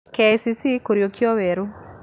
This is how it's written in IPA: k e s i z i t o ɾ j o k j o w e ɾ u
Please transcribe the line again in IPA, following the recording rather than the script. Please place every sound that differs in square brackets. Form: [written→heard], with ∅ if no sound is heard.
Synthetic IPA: k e s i [z→s] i [t→k] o ɾ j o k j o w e ɾ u

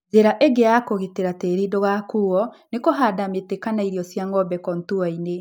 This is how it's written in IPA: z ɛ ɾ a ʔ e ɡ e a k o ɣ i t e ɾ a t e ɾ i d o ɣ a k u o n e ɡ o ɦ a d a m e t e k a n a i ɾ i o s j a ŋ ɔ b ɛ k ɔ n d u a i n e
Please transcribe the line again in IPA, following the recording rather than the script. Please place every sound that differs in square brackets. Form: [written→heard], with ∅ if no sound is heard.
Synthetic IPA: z [ɛ→e] ɾ a ʔ e ɡ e a k o ɣ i t e ɾ a t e ɾ i d o ɣ a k u [o→ɔ] n e [ɡ→k] o ɦ a d a m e t e k a n a i ɾ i [o→ɔ] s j a ŋ ɔ b ɛ k ɔ n [d→t] u a i n e

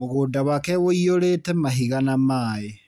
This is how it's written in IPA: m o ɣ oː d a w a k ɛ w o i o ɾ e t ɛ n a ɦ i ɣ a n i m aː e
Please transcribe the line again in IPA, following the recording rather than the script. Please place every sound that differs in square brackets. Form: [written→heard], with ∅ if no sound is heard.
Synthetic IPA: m o ɣ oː d a w a k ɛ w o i o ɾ e t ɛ [n→m] a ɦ i ɣ a n [i→a] m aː e

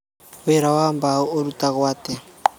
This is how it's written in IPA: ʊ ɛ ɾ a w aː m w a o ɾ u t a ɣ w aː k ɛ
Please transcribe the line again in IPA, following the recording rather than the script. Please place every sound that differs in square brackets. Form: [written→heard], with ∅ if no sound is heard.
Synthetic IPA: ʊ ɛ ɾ a w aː m [w→b] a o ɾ u t a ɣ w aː [k→t] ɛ

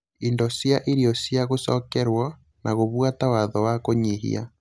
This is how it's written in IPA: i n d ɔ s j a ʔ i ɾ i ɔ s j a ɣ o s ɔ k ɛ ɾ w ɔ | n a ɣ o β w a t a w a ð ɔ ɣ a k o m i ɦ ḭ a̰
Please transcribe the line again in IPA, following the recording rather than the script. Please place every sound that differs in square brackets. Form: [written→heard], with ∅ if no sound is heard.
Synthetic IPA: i n d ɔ s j a ʔ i ɾ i ɔ s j a ɣ o s ɔ k ɛ ɾ w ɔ | n a ɣ o β w a t a w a ð ɔ [ɣ→w] a k o [m→ɲ] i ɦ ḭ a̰

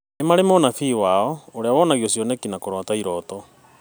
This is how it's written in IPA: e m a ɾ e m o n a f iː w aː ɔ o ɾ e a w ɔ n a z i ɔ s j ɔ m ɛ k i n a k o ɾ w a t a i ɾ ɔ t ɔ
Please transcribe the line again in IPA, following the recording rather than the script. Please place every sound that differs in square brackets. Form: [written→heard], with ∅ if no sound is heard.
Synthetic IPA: e m a ɾ e m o n a f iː w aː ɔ o ɾ e a w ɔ n a [z→ɣ] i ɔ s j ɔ [m→n] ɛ k i n a k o ɾ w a t a i ɾ ɔ t ɔ

